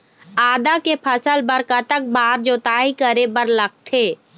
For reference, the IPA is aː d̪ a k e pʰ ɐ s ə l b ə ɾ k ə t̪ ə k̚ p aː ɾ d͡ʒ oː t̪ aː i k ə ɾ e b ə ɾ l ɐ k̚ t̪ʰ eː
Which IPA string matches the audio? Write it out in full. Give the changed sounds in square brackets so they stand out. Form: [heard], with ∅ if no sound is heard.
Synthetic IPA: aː d̪ a k e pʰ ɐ s ə l b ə ɾ k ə t̪ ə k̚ [b] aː ɾ d͡ʒ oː t̪ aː i k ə ɾ e b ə ɾ l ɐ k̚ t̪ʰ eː

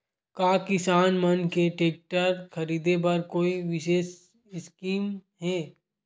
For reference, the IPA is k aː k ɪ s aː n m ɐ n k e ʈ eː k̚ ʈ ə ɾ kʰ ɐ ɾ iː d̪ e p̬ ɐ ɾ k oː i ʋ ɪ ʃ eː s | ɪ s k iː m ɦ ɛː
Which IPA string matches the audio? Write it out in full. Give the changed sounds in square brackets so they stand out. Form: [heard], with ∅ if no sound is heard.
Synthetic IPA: k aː k ɪ s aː n m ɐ n k e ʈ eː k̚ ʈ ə ɾ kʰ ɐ ɾ iː d̪ e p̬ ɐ ɾ k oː i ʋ ɪ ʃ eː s | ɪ s k iː m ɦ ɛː

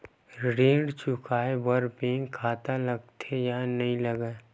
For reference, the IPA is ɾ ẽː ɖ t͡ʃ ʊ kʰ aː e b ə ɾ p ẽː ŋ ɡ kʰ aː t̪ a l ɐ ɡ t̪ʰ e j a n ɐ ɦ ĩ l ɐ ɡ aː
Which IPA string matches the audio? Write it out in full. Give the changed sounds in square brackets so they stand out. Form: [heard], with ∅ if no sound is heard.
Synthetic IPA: ɾ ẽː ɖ t͡ʃ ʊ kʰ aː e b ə ɾ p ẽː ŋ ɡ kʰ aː t̪ a l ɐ ɡ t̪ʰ e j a n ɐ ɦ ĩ l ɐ ɡ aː

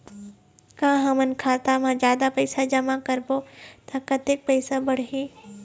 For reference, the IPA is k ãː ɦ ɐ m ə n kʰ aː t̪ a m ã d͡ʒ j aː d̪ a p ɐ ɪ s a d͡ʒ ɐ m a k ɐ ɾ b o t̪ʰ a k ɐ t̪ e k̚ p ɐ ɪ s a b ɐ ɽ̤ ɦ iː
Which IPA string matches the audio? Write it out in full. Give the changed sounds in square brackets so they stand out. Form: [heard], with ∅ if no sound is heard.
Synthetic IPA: k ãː ɦ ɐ m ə n kʰ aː t̪ a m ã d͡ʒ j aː d̪ a p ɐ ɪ s a d͡ʒ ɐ m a k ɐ ɾ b o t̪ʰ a k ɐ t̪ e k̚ p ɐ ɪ s a b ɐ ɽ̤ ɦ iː

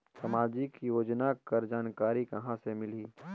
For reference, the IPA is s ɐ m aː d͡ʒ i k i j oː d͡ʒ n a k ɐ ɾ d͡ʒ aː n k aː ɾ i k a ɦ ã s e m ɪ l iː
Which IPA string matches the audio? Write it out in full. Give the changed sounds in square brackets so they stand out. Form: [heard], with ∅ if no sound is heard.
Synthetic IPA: s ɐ m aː d͡ʒ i k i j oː d͡ʒ n a k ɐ ɾ d͡ʒ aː n k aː ɾ i k [ɐ] ɦ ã s e m ɪ l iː

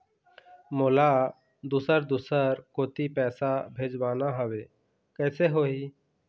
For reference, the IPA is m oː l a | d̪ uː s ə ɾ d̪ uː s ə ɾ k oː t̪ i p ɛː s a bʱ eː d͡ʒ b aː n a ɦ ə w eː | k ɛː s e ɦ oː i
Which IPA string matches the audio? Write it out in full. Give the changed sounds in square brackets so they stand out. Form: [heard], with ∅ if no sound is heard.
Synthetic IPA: m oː l a | d̪ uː s ə ɾ d̪ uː s ə ɾ k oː t̪ i p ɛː s a bʱ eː d͡ʒ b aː n a ɦ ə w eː | k ɛː s e ɦ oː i

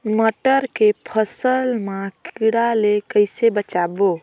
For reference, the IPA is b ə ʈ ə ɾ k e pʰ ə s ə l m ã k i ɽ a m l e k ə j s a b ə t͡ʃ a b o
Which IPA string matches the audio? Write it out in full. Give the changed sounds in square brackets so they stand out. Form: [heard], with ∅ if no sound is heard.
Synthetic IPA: [m] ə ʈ ə ɾ k e pʰ ə s ə l m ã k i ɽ a [∅] l e k ə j s [e] b ə t͡ʃ a b o

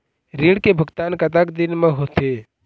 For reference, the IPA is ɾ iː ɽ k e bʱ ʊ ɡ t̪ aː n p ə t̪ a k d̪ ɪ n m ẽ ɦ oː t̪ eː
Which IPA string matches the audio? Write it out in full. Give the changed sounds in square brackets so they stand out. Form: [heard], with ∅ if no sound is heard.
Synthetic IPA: ɾ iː ɽ k e bʱ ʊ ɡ t̪ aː n [k] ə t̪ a k d̪ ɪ n m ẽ ɦ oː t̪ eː

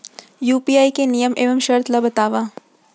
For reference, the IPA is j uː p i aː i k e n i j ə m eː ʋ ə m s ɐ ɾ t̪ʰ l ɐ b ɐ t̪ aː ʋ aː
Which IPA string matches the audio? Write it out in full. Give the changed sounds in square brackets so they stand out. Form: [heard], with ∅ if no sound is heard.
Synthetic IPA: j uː p i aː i k e n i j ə m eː ʋ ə m [ʃ] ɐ ɾ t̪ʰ l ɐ b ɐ t̪ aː ʋ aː

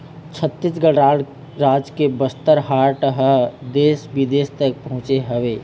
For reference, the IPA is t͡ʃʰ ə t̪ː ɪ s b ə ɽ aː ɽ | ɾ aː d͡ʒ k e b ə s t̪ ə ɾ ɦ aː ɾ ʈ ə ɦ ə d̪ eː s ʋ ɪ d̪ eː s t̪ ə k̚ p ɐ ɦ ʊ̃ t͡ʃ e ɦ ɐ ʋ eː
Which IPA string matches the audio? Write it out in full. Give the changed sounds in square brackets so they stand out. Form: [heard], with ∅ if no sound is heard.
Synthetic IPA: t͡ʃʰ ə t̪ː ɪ s [ɡ] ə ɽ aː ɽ | ɾ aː d͡ʒ k e b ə s t̪ ə ɾ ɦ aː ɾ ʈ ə ɦ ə d̪ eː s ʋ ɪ d̪ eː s t̪ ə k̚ p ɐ ɦ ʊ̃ t͡ʃ e ɦ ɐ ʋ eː

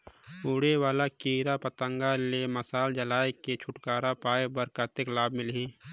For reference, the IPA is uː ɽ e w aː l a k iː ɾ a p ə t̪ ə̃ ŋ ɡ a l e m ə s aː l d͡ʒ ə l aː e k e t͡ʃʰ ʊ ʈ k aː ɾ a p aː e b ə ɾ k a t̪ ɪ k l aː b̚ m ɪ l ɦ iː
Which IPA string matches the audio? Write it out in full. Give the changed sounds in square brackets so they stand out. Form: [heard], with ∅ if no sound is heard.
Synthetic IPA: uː ɽ e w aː l a k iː ɾ a p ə t̪ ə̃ ŋ ɡ a l e m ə s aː l d͡ʒ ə l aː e k e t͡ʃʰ ʊ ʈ k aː ɾ a p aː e b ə ɾ k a t̪ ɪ k l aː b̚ m ɪ l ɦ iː

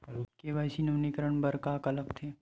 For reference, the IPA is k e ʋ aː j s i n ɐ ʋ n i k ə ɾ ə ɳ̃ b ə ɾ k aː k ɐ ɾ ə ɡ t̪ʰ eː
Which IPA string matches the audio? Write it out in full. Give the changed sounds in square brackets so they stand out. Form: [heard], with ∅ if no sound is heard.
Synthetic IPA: k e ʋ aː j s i n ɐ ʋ n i k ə ɾ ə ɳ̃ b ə ɾ k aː k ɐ [l] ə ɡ t̪ʰ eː

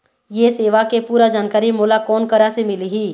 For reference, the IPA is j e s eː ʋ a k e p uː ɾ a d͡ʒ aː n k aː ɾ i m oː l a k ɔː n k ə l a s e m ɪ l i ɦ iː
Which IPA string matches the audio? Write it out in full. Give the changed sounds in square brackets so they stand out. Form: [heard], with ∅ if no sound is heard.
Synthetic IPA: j e s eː ʋ a k e p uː ɾ a d͡ʒ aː n k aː ɾ i m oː l a k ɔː n k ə [ɾ] a s e m ɪ l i ɦ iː

